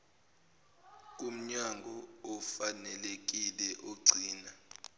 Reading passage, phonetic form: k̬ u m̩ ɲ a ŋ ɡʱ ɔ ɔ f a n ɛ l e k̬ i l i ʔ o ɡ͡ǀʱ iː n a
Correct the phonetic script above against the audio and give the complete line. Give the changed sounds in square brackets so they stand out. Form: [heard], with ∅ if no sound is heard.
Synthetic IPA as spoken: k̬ u m̩ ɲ a ŋ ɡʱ ɔ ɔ f a n ɛ l e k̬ i l [ɛ] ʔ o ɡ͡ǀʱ iː n a